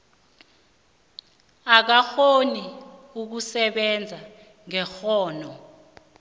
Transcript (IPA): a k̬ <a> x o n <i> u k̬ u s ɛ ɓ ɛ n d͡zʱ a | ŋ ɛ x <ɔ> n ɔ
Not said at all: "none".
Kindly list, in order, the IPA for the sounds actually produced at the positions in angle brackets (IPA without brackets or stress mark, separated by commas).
a, i, ɔː